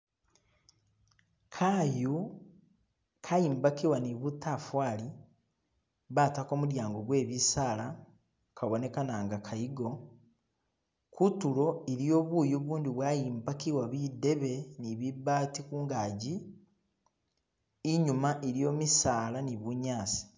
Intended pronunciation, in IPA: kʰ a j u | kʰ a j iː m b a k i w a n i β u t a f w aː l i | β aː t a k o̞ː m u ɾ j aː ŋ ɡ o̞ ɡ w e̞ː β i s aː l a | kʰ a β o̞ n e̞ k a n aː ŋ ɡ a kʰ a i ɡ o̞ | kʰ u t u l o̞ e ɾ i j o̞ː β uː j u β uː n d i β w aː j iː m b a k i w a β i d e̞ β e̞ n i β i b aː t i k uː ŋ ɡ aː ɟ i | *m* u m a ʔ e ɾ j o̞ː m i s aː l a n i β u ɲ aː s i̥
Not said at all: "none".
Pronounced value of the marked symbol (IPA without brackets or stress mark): ɲ